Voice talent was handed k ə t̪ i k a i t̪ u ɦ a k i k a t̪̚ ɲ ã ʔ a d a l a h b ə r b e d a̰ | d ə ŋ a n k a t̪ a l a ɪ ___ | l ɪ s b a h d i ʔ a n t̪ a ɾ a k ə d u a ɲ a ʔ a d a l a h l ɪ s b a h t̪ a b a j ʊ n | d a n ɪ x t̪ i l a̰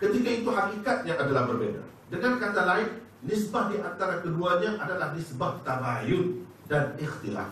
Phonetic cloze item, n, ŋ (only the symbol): n